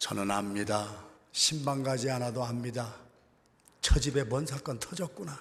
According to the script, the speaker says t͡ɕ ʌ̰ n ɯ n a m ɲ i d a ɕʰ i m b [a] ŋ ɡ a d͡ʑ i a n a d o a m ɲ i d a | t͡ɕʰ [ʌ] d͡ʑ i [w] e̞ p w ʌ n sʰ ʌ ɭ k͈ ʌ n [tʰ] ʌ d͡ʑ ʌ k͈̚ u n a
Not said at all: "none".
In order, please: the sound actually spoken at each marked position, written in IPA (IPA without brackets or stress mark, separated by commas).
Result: a, ʌ, b, tʰ